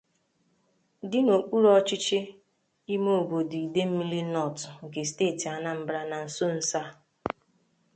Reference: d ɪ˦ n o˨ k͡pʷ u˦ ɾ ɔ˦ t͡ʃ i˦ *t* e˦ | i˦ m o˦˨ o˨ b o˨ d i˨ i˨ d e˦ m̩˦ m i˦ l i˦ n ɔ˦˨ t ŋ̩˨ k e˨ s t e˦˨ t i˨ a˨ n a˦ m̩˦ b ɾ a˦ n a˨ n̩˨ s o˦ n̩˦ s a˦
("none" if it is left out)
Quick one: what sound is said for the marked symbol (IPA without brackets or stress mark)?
t͡ʃ